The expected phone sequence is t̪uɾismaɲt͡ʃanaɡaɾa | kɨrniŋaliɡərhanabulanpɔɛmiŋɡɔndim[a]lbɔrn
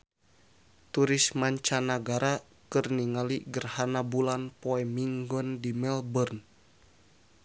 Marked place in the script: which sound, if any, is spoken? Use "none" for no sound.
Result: ɛ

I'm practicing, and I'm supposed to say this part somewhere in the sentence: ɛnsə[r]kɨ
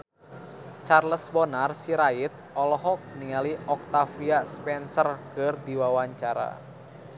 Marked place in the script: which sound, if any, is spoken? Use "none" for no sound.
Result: r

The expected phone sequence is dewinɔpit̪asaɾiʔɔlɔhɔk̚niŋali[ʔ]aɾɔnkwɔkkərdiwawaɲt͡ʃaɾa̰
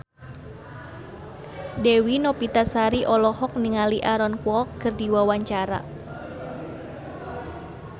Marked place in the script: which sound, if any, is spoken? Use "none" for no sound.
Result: ʔ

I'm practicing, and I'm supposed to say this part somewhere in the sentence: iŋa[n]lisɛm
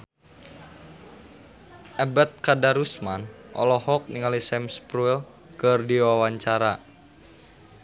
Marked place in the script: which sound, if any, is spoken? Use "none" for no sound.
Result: none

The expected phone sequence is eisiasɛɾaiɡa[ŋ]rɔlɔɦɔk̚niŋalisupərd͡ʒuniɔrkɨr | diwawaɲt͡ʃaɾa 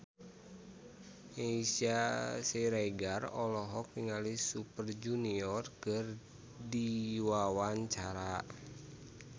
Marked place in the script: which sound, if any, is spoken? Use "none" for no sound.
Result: none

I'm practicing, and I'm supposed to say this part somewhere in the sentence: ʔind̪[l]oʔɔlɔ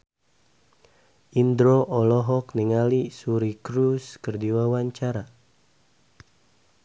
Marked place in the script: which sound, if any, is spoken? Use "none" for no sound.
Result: ɾ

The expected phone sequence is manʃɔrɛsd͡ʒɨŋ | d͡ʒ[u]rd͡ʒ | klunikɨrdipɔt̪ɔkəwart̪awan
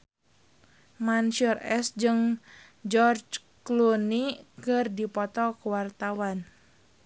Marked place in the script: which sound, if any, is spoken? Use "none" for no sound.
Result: ɔ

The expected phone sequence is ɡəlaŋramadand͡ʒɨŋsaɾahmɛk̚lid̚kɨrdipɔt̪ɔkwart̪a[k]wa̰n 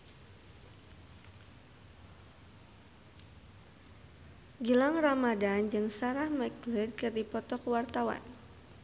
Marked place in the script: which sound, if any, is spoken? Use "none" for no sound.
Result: none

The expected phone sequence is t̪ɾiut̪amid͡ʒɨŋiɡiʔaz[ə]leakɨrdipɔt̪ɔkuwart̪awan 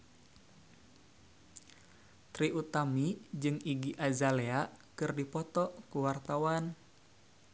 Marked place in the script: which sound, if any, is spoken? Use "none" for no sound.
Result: a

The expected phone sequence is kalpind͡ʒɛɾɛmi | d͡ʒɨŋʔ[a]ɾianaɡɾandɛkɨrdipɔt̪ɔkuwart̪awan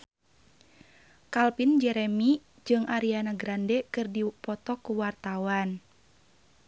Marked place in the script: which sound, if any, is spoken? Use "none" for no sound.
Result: a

